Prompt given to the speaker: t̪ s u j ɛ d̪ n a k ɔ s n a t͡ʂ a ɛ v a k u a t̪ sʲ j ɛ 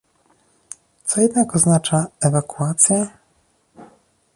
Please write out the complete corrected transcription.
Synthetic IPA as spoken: t̪ s ɔ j ɛ d̪ n a k ɔ z n a t͡ʂ a ɛ v a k u a t̪ sʲ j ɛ